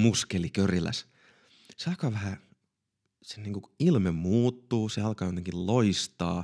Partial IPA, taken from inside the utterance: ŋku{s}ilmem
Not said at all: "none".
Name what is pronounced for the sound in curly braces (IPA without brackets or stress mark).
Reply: none